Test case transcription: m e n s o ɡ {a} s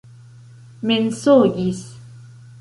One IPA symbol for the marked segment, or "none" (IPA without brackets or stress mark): i